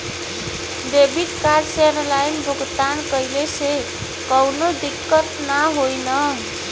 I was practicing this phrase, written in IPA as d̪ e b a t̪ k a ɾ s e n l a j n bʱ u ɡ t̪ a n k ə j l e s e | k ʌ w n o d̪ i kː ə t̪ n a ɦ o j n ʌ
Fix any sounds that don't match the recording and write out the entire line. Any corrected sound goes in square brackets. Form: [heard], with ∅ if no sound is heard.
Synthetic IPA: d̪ e b [i] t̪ k a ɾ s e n l a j n bʱ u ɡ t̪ a n k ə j l e s e | k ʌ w n o d̪ i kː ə t̪ n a ɦ o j n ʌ